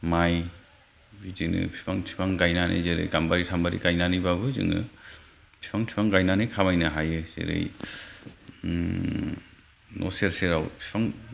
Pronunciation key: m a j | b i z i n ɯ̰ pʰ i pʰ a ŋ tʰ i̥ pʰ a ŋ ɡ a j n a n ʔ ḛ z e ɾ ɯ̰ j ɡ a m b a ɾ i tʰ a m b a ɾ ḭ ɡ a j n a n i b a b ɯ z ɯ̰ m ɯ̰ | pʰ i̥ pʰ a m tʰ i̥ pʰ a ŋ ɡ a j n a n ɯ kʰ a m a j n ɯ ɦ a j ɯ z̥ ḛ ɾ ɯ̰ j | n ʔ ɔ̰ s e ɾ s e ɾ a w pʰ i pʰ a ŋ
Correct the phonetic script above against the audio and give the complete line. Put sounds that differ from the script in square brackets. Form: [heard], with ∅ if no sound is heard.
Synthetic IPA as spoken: m a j | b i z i n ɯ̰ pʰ i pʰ a ŋ tʰ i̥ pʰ a ŋ ɡ a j n a n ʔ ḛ z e ɾ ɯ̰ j ɡ a m b a ɾ i tʰ a m b a ɾ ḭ ɡ a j n a n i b a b ɯ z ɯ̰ [ŋ] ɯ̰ | pʰ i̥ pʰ a [ŋ] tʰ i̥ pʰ a ŋ ɡ a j n a n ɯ kʰ a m a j n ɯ ɦ a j ɯ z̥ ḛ ɾ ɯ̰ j | n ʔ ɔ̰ s e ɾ s e ɾ a w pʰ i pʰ a ŋ